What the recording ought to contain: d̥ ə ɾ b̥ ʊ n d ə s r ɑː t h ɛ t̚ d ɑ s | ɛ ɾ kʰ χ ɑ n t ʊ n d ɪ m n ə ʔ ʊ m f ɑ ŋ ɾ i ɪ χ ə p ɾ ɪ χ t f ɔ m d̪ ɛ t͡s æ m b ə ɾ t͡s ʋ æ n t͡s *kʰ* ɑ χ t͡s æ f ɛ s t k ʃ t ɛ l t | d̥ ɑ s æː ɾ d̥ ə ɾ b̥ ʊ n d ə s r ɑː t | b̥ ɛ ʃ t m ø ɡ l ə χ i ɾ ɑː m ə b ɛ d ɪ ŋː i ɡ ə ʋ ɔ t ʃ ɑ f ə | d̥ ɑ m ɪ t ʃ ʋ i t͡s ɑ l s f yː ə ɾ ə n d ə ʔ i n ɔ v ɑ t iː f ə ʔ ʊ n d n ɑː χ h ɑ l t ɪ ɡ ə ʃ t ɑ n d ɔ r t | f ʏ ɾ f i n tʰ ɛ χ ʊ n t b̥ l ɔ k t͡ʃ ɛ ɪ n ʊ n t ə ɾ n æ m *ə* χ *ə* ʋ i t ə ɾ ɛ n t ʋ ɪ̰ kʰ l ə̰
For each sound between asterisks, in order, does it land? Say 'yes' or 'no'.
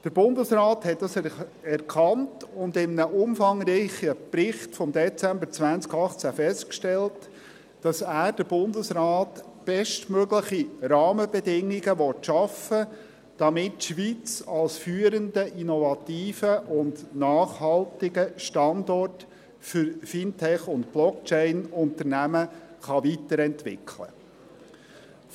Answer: no, yes, no

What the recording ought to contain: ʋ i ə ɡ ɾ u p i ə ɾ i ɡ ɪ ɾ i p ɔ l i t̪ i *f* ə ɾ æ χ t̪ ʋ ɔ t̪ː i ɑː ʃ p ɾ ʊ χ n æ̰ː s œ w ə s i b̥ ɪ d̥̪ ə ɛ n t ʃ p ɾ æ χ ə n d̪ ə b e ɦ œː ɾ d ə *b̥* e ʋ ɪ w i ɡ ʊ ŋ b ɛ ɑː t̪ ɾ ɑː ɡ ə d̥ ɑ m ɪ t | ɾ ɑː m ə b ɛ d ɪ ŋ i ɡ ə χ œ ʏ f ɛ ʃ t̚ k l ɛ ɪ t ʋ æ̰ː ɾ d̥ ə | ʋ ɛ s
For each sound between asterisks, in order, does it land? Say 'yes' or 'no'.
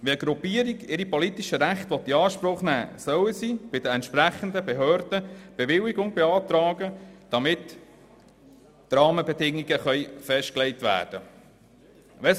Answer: no, yes

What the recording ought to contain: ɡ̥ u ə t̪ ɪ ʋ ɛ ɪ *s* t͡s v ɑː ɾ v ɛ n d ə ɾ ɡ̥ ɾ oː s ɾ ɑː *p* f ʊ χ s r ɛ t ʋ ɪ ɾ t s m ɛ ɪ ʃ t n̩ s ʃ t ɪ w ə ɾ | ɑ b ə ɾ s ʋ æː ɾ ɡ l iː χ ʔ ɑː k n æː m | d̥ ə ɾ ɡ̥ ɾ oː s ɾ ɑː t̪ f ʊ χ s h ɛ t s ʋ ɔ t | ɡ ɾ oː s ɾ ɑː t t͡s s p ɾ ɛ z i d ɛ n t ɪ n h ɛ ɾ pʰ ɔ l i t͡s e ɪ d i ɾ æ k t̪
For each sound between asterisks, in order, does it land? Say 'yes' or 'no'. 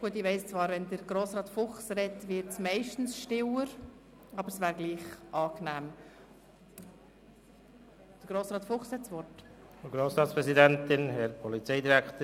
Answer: yes, no

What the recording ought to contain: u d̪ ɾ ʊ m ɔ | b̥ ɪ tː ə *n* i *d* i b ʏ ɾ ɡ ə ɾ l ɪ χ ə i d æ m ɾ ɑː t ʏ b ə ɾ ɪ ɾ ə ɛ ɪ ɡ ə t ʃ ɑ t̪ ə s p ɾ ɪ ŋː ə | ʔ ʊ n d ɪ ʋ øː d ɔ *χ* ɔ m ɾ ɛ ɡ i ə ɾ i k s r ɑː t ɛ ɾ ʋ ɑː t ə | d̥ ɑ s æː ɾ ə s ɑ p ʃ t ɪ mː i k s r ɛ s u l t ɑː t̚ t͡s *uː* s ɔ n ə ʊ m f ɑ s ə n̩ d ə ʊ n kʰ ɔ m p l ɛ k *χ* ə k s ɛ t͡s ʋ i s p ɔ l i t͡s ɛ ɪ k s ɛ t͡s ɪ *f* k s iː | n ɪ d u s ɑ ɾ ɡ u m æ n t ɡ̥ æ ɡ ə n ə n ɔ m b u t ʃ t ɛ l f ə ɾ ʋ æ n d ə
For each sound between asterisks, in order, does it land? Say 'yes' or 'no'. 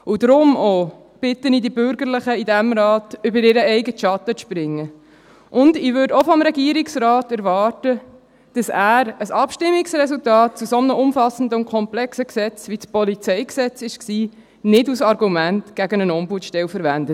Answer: yes, yes, no, no, no, no

